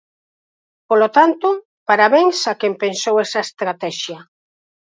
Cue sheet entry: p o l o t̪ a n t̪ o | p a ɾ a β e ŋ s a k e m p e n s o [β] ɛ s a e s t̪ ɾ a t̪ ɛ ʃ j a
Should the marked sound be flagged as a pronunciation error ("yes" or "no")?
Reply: yes